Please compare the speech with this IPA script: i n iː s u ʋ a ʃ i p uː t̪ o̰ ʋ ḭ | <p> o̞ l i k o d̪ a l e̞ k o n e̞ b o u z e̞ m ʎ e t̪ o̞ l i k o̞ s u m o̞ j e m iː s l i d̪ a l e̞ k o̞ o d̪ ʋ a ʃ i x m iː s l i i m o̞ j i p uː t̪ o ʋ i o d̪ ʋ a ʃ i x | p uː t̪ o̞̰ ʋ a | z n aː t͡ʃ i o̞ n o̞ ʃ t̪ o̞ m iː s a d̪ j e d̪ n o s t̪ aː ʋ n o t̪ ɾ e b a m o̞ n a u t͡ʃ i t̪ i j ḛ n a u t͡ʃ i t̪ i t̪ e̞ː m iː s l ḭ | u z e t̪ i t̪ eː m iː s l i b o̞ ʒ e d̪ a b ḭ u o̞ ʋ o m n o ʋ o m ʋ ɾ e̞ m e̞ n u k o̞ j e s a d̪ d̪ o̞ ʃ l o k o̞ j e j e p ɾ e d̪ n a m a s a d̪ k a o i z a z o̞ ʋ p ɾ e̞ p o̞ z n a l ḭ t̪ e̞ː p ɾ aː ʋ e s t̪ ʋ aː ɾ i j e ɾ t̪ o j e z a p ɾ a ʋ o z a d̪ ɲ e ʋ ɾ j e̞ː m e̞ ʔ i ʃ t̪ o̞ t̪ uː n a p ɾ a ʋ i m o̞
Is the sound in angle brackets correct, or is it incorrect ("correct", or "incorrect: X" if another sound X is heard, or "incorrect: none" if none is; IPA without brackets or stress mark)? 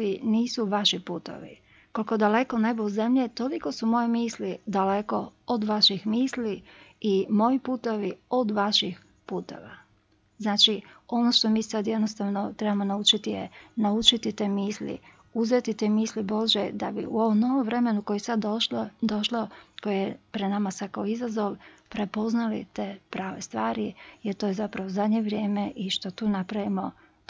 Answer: incorrect: k